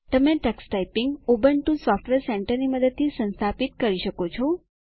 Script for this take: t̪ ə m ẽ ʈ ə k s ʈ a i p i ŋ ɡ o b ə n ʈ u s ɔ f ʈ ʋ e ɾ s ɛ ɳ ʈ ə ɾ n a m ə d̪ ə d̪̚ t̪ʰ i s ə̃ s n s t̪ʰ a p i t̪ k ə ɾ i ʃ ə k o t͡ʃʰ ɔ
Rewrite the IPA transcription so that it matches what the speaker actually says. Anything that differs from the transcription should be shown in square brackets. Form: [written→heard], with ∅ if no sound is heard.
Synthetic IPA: t̪ ə m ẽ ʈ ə k s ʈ a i p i ŋ ɡ o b ə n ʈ u s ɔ f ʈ ʋ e ɾ s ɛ ɳ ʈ ə ɾ n [a→i] m ə d̪ ə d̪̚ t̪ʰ i s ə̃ [s→∅] n s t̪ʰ a p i t̪ k ə ɾ i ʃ ə k o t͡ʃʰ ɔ